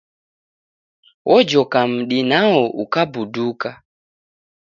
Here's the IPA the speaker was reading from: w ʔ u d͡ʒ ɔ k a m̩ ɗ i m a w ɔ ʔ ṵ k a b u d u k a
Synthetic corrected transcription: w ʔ ɔ d͡ʒ ɔ k a m̩ ɗ i n a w ɔ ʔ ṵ k a b u d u k a

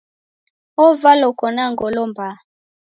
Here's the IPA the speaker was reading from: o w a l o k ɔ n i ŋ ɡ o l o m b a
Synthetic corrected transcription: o v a l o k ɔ n a ŋ ɡ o l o m b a

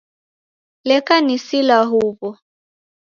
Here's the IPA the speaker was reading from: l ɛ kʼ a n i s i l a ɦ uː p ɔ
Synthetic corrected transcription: l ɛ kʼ a n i s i l a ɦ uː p ɔ

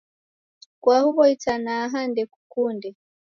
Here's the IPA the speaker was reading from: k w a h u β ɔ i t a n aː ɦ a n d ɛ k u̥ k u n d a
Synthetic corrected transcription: k w a h u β ɔ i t a n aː ɦ a n d ɛ k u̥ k u n d ɛ

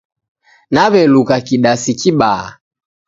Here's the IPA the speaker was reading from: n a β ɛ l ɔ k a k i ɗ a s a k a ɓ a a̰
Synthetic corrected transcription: n a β ɛ l u k a k i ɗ a s i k i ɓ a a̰

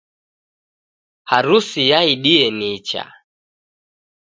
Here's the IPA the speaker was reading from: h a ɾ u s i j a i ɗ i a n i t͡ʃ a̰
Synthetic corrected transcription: h a ɾ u s i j a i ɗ i ɛ n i t͡ʃ a̰

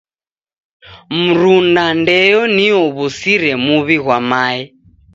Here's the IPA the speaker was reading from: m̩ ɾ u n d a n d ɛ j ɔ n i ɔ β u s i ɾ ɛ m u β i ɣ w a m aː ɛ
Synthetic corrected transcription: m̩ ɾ u n d a n d ɛ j ɔ n i ɔ β u s i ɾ ɛ m u β i ɣ w a m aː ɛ

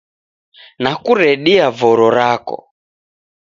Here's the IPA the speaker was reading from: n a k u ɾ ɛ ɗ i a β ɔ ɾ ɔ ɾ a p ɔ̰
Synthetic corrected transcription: n a k u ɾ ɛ ɗ i a v ɔ ɾ ɔ ɾ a k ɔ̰

